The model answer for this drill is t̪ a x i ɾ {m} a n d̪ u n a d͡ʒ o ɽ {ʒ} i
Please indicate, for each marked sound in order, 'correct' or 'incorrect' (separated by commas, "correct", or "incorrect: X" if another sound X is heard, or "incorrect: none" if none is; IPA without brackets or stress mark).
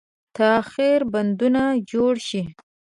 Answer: incorrect: b, incorrect: ʃ